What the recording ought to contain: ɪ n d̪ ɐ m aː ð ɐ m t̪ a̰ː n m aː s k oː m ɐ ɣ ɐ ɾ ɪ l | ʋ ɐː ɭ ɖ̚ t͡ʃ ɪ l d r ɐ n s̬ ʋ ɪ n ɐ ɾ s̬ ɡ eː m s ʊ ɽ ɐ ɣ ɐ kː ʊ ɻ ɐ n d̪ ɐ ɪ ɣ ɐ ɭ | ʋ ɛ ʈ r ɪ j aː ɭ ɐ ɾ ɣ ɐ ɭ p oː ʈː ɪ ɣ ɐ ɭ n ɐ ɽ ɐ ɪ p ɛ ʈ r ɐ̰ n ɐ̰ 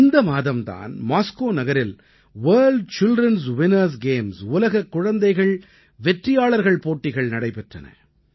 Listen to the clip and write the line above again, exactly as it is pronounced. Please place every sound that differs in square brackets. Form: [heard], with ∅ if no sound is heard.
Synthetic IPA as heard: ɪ n d̪ ɐ m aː ð ɐ m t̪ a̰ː n m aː s k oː [n] ɐ ɣ ɐ ɾ ɪ l | ʋ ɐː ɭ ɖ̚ t͡ʃ ɪ l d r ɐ n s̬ ʋ ɪ n ɐ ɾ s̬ ɡ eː m s ʊ [l] ɐ ɣ ɐ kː ʊ ɻ ɐ n d̪ ɐ ɪ ɣ ɐ ɭ | ʋ ɛ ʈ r ɪ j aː ɭ ɐ ɾ ɣ ɐ ɭ p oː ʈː ɪ ɣ ɐ ɭ n ɐ ɽ ɐ ɪ p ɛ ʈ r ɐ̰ n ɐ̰

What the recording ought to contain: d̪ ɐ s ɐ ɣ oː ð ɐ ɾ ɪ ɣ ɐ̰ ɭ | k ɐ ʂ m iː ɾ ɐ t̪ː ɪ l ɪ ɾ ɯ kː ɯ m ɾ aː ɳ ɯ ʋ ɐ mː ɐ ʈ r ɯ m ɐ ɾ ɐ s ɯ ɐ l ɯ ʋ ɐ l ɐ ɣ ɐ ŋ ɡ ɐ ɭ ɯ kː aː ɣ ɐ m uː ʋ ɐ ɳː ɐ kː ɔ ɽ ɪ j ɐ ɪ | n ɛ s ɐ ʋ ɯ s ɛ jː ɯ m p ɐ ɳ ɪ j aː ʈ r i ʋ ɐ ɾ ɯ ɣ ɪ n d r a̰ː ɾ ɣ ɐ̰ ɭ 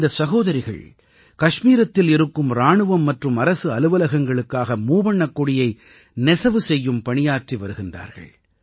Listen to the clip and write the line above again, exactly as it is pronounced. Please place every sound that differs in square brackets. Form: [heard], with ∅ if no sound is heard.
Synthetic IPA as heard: d̪ ɐ s ɐ ɣ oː ð ɐ ɾ ɪ ɣ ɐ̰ ɭ | k ɐ ʂ m iː ɾ ɐ t̪ː ɪ l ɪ ɾ ɯ kː ɯ m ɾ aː ɳ ɯ ʋ ɐ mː ɐ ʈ r ɯ m ɐ ɾ ɐ s ɯ ɐ l ɯ ʋ ɐ l ɐ ɣ ɐ ŋ ɡ ɐ ɭ ɯ kː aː ɣ ɐ m uː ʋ ɐ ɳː ɐ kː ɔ ɽ ɪ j ɐ ɪ | n ɛ s ɐ ʋ ɯ s ɛ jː ɯ m p ɐ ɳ ɪ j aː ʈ r i ʋ ɐ ɾ ɯ ɣ ɪ n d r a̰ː ɾ ɣ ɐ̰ ɭ

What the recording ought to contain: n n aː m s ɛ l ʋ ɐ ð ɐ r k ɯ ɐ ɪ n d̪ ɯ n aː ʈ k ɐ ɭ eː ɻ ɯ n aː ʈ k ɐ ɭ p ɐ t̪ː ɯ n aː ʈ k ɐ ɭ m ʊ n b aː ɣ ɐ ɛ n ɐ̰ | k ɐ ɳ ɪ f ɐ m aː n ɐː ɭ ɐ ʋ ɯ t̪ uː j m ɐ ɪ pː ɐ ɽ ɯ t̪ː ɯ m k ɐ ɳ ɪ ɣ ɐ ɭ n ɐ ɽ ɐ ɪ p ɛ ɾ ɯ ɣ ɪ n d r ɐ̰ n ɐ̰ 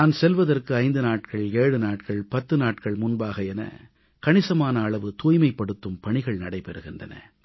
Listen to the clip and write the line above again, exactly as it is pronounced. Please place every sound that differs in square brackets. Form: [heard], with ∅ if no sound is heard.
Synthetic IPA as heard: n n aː [n] s ɛ l ʋ ɐ ð ɐ r k ɯ ɐ ɪ n d̪ ɯ n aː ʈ k ɐ ɭ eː ɻ ɯ n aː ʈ k ɐ ɭ p ɐ t̪ː ɯ n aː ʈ k ɐ ɭ m ʊ n b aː ɣ ɐ ɛ n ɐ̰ | k ɐ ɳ ɪ [s] ɐ m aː n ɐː ɭ ɐ ʋ ɯ t̪ uː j m ɐ ɪ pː ɐ ɽ ɯ t̪ː ɯ m [p] ɐ ɳ ɪ ɣ ɐ ɭ n ɐ ɽ ɐ ɪ p ɛ ɾ ɯ ɣ ɪ n d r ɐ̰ n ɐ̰

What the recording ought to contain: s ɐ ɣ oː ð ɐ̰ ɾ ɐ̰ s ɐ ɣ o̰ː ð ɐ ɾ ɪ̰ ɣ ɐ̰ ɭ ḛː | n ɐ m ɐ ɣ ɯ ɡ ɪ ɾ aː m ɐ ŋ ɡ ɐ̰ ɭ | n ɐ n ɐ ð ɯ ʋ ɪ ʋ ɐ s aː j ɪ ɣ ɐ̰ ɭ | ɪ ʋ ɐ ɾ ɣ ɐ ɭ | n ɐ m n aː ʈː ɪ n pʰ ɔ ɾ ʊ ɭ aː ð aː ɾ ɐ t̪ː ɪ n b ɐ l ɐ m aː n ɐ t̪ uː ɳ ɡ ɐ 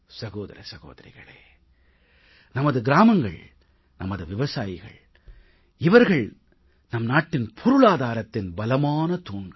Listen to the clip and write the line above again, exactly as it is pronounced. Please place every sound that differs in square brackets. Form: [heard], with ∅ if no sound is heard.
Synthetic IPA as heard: s ɐ ɣ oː ð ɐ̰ ɾ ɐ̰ s ɐ ɣ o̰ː ð ɐ ɾ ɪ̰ ɣ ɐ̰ ɭ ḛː | n ɐ m ɐ [ð] ɯ ɡ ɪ ɾ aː m ɐ ŋ ɡ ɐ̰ ɭ | n ɐ [m] ɐ ð ɯ ʋ ɪ ʋ ɐ s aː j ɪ ɣ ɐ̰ ɭ | ɪ ʋ ɐ ɾ ɣ ɐ ɭ | n ɐ m n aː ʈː ɪ n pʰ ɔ ɾ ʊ ɭ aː ð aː ɾ ɐ t̪ː ɪ n b ɐ l ɐ m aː n ɐ t̪ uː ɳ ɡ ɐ

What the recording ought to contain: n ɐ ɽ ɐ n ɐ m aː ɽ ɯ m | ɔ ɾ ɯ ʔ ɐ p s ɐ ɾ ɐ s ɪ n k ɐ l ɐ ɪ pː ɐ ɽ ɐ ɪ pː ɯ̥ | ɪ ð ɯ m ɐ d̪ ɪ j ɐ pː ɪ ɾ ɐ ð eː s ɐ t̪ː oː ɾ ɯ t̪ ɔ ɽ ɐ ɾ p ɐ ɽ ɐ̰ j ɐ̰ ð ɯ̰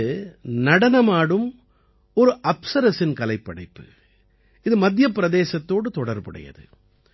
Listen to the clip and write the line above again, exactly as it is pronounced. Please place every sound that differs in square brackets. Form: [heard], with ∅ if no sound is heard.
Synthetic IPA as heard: n ɐ ɽ ɐ n ɐ m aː ɽ ɯ m | ɔ ɾ ɯ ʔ ɐ p s ɐ ɾ ɐ s ɪ n k ɐ l ɐ ɪ pː ɐ ɽ ɐ ɪ pː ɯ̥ | ɪ ð ɯ m ɐ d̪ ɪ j ɐ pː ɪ ɾ ɐ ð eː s ɐ t̪ː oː [ɽ] ɯ t̪ ɔ ɽ ɐ ɾ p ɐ ɽ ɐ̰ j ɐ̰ ð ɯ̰

